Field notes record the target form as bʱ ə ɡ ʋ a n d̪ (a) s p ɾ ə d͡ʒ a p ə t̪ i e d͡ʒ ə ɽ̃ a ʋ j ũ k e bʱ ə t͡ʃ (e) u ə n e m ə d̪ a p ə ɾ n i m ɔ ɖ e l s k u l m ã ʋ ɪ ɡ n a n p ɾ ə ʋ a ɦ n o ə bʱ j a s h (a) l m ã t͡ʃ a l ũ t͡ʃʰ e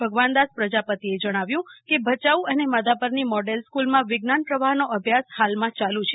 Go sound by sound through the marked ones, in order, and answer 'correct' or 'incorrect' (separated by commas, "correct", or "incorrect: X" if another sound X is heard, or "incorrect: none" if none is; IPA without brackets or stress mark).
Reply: correct, incorrect: a, correct